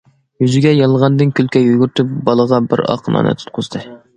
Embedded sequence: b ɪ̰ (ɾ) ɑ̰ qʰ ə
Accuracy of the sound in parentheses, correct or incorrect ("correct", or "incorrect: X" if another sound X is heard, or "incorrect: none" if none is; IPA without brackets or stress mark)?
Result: correct